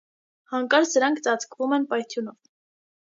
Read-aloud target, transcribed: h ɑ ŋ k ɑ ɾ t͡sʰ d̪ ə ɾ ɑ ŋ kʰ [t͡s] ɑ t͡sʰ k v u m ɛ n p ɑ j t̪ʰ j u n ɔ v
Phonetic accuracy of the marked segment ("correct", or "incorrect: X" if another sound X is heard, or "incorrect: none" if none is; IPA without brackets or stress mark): correct